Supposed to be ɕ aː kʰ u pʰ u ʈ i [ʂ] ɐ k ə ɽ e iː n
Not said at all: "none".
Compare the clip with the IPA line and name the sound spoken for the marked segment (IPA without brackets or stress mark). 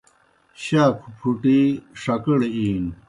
ʂ